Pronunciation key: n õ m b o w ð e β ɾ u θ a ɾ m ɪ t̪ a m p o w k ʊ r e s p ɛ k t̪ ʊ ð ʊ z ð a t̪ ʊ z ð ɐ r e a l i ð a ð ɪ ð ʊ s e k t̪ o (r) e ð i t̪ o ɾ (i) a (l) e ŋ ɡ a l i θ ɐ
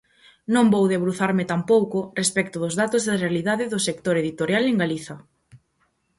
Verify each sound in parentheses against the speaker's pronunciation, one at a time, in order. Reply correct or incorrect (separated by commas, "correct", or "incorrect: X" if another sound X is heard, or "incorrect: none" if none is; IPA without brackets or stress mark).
incorrect: ɾ, incorrect: j, correct